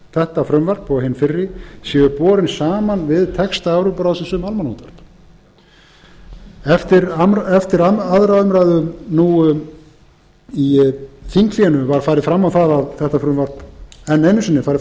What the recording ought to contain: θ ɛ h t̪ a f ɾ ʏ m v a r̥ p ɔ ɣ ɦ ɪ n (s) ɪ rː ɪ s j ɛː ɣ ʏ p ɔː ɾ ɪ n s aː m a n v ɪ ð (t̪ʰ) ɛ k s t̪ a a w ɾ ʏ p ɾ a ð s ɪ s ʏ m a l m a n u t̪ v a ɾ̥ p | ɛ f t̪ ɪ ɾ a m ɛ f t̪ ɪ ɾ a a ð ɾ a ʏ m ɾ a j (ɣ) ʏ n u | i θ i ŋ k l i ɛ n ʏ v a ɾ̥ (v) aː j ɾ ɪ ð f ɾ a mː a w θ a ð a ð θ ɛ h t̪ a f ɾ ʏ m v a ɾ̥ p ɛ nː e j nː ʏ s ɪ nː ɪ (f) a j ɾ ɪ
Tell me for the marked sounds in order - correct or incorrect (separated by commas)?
incorrect, correct, incorrect, incorrect, correct